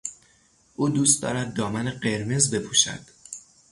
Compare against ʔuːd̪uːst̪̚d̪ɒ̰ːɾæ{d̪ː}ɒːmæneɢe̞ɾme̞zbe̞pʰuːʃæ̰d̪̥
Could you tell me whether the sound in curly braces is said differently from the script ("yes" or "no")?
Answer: no